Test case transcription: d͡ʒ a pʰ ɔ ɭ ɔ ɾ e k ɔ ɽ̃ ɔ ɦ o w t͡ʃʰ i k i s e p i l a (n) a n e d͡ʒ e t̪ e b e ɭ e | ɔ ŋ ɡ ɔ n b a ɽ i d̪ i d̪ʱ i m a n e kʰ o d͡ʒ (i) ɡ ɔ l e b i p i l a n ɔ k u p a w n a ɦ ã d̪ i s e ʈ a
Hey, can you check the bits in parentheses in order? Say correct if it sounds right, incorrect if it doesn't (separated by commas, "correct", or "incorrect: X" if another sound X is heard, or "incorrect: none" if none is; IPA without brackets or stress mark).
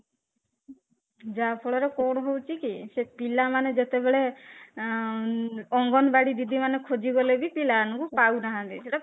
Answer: incorrect: m, correct